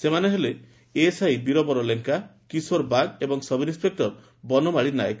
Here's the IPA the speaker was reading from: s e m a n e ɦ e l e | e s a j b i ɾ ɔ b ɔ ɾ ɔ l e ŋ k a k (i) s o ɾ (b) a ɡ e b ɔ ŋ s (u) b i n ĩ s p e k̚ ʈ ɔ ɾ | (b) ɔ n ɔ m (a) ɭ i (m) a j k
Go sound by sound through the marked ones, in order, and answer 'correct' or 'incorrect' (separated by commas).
correct, correct, incorrect, correct, correct, incorrect